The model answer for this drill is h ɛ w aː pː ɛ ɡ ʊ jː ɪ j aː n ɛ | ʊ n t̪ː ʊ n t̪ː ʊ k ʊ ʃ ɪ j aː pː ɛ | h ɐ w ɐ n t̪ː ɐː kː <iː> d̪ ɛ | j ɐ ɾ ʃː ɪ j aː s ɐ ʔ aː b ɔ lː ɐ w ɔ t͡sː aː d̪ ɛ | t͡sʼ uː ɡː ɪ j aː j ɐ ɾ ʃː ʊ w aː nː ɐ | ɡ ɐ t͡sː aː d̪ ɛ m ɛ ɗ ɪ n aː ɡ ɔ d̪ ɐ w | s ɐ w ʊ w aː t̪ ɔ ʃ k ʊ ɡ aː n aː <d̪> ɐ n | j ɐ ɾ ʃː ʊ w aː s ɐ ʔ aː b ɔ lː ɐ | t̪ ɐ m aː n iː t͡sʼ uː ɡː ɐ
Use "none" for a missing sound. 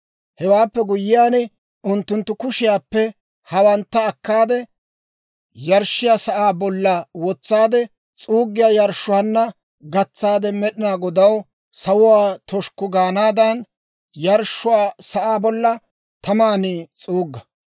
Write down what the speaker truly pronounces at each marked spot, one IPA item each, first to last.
aː, d̪

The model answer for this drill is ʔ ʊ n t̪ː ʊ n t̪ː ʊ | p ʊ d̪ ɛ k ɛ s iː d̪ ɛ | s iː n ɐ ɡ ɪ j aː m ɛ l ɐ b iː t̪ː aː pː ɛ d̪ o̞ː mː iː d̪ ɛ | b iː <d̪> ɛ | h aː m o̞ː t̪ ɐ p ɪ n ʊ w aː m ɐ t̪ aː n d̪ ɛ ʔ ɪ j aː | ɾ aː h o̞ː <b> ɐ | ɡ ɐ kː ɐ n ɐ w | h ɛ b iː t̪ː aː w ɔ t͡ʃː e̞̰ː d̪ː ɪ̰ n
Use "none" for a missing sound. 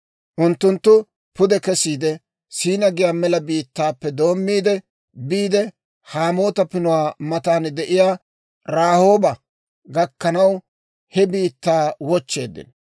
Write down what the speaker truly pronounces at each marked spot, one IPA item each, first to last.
d̪, b

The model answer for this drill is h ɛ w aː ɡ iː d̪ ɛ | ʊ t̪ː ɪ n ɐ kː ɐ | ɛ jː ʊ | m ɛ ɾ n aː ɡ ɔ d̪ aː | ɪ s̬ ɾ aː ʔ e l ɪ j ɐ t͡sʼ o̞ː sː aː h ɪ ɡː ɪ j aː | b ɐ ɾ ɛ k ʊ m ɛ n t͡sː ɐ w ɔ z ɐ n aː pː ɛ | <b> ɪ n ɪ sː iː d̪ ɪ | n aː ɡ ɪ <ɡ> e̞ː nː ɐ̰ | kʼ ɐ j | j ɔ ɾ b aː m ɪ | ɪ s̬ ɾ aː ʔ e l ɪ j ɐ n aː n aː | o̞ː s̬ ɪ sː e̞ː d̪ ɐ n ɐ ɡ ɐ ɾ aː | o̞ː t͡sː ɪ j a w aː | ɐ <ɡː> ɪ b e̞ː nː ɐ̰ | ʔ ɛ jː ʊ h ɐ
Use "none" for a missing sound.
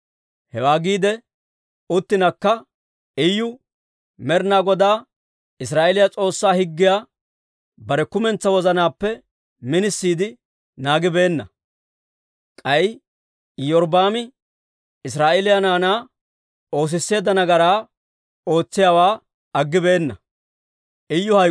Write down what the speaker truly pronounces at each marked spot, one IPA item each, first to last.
m, b, ɡː

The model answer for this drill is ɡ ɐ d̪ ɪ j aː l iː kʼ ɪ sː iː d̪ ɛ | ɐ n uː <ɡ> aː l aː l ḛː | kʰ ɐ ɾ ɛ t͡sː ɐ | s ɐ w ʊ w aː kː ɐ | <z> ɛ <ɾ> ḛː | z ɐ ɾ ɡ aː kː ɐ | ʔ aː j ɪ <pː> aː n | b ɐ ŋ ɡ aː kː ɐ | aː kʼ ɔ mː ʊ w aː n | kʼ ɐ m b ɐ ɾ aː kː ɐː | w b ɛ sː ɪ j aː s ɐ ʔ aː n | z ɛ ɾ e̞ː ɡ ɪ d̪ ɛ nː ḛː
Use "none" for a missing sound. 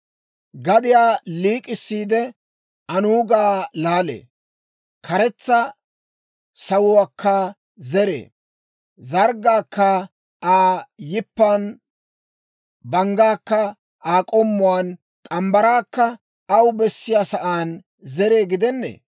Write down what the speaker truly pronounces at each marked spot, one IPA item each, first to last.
ɡ, z, ɾ, pː

